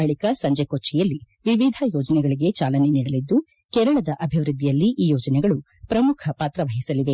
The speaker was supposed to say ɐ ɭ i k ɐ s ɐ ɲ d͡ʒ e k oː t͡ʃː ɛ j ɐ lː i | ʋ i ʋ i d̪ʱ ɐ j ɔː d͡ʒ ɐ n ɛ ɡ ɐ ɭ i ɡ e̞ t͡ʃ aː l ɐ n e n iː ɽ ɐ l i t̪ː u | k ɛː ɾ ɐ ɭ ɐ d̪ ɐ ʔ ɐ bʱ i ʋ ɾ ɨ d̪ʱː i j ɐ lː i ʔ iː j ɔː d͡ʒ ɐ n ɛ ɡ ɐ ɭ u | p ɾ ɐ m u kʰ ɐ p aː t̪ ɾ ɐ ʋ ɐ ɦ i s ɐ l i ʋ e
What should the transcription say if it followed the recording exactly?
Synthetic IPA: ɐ ɭ i k ɐ s ɐ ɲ d͡ʒ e k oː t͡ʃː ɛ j ɐ lː i | ʋ i ʋ i d̪ʱ ɐ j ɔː d͡ʒ ɐ n ɛ ɡ ɐ ɭ i ɡ e̞ t͡ʃ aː l ɐ n e n iː ɽ ɐ l i d̪ː u | k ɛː ɾ ɐ ɭ ɐ d̪ ɐ ʔ ɐ bʱ i ʋ ɾ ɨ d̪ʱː i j ɐ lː i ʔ iː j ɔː d͡ʒ ɐ n ɛ ɡ ɐ ɭ u | p ɾ ɐ m u kʰ ɐ p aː t̪ ɾ ɐ ʋ ɐ ɦ i s ɐ l i ʋ e

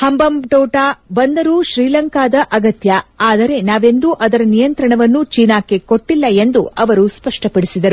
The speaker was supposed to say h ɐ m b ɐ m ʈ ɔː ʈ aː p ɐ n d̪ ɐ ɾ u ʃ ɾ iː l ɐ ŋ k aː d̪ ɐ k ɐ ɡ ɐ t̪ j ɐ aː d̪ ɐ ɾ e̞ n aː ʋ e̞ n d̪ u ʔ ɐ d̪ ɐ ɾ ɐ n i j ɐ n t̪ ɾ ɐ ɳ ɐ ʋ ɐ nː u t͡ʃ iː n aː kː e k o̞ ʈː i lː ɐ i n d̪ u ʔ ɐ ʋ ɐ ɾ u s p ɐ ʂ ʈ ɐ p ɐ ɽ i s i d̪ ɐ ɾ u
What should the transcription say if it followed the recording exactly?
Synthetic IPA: h ɐ m b ɐ m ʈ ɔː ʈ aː b ɐ n d̪ ɐ ɾ u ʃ ɾ iː l ɐ ŋ k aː d̪ ɐ ʔ ɐ ɡ ɐ t̪ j ɐ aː d̪ ɐ ɾ e̞ n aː ʋ e̞ n d̪ u ʔ ɐ d̪ ɐ ɾ ɐ n i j ɐ n t̪ ɾ ɐ ɳ ɐ ʋ ɐ nː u t͡ʃ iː n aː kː e k o̞ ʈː i lː ɐ e n d̪ u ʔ ɐ ʋ ɐ ɾ u s p ɐ ʂ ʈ ɐ p ɐ ɽ i s i d̪ ɐ ɾ u

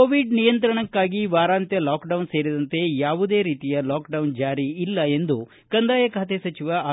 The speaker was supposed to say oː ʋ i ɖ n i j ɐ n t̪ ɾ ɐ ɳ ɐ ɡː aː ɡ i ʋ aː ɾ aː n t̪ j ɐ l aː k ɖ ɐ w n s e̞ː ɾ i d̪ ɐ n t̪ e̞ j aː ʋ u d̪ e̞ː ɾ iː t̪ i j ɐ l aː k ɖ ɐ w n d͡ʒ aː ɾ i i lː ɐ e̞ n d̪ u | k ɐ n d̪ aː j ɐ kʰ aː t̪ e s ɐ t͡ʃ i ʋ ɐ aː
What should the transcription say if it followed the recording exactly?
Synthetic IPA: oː ʋ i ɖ n i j ɐ n t̪ ɾ ɐ ɳ ɐ kː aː ɡ i ʋ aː ɾ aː n t̪ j ɐ l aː k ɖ ɐ w n s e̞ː ɾ i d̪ ɐ n t̪ e̞ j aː ʋ u d̪ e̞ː ɾ iː t̪ i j ɐ l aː k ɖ ɐ w n d͡ʒ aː ɾ i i lː ɐ e̞ n d̪ u | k ɐ n d̪ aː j ɐ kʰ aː t̪ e s ɐ t͡ʃ i ʋ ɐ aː

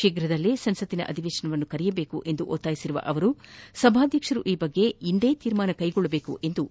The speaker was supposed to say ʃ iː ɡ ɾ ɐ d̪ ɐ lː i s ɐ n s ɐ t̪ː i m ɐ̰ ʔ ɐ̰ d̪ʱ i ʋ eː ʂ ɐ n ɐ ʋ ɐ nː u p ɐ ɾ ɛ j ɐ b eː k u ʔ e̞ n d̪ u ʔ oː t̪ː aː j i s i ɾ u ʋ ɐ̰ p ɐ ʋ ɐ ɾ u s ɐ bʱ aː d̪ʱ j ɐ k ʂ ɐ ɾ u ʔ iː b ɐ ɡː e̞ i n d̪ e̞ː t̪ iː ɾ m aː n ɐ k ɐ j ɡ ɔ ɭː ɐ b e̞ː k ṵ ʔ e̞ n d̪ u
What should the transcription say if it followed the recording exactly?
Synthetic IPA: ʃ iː ɡ ɾ ɐ d̪ ɐ lː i s ɐ n s ɐ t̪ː i n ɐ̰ ʔ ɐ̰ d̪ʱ i ʋ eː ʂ ɐ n ɐ ʋ ɐ nː u k ɐ ɾ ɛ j ɐ b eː k u ʔ e̞ n d̪ u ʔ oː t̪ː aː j i s i ɾ u ʋ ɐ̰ ʔ ɐ ʋ ɐ ɾ u s ɐ bʱ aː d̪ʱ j ɐ k ʂ ɐ ɾ u ʔ iː b ɐ ɡː e̞ i n d̪ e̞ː t̪ iː ɾ m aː n ɐ k ɐ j ɡ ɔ ɭː ɐ b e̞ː k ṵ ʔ e̞ n d̪ u

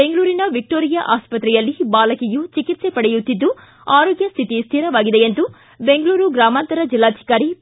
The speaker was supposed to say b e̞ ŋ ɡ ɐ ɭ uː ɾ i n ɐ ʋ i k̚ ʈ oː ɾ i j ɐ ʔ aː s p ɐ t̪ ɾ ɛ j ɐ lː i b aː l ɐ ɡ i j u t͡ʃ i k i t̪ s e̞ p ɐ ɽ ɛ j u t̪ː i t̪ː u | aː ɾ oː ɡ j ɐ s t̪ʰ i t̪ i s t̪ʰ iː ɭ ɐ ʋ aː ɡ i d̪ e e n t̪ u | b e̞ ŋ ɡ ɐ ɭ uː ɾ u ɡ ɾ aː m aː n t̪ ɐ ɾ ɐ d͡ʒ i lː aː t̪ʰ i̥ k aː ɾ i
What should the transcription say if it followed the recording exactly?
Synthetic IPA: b e̞ ŋ ɡ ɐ ɭ uː ɾ i n ɐ ʋ i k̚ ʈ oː ɾ i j ɐ ʔ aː s p ɐ t̪ ɾ ɛ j ɐ lː i b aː l ɐ k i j u t͡ʃ i k i t̪ s e̞ p ɐ ɽ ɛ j u t̪ː i d̪ː u | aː ɾ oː ɡ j ɐ s t̪ʰ i t̪ i s t̪ʰ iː ɾ ɐ ʋ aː ɡ i d̪ e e n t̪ u | b e̞ ŋ ɡ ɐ ɭ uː ɾ u ɡ ɾ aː m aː n t̪ ɐ ɾ ɐ d͡ʒ i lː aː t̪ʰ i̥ k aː ɾ i

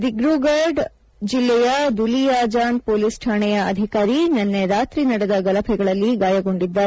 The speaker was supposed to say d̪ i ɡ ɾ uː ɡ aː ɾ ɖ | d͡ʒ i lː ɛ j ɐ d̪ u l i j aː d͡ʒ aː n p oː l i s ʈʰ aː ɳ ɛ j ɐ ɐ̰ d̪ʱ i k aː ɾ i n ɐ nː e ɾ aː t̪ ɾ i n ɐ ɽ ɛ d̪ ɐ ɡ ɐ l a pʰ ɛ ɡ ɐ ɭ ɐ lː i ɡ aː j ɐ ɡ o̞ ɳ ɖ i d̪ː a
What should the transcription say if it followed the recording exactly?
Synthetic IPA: d̪ i ɡ ɾ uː ɡ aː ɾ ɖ | d͡ʒ i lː ɛ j ɐ d̪ u l i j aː d͡ʒ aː n p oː l i s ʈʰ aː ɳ ɛ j ɐ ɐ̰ d̪ʱ i k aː ɾ i n ɐ nː e ɾ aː t̪ ɾ i n ɐ ɽ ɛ d̪ ɐ ɡ ɐ l ɐ pʰ ɛ ɡ ɐ ɭ ɐ lː i ɡ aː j ɐ ɡ o̞ ɳ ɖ i d̪ː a

